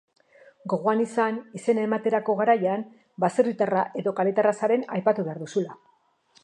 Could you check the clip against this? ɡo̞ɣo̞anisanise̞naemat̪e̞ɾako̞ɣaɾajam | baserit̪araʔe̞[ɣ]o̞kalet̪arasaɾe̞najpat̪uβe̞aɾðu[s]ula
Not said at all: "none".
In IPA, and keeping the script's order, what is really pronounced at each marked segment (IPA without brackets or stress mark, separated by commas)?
ð, s